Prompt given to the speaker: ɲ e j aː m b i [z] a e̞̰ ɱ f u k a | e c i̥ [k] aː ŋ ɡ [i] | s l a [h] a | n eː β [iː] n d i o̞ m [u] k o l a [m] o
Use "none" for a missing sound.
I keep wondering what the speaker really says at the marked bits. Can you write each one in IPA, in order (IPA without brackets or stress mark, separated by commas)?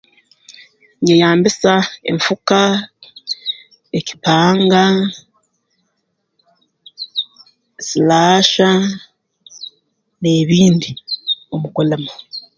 s, p, a, ʃ, iː, u, m